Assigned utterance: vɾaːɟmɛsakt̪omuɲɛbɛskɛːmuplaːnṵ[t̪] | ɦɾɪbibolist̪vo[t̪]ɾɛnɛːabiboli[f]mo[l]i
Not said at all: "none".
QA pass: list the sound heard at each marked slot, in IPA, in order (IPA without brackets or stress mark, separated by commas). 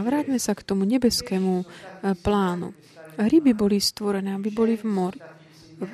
none, none, v, ɾ